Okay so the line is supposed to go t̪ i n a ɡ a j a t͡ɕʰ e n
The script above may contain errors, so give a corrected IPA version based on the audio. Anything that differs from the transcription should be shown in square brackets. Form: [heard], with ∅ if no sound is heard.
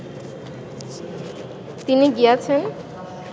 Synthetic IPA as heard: t̪ i n [i] ɡ [i] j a t͡ɕʰ e n